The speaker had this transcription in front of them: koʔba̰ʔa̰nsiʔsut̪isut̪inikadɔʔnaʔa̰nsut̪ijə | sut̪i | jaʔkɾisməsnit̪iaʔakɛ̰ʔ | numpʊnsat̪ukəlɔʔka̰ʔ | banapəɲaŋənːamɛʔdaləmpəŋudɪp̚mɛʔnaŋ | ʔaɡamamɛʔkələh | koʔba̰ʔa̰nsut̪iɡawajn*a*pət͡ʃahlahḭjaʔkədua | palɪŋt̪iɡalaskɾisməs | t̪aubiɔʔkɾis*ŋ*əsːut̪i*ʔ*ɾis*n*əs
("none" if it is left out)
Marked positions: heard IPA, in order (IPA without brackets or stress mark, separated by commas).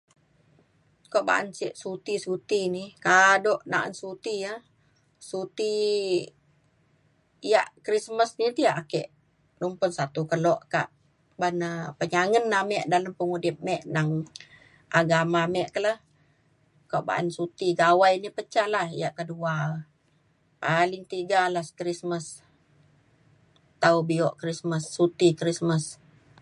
i, m, k, m